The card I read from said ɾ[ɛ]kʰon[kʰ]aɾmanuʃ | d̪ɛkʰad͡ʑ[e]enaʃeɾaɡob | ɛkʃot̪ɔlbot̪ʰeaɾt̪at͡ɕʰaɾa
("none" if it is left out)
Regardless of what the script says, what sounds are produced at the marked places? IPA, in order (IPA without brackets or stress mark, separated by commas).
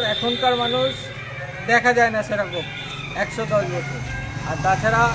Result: ɛ, k, a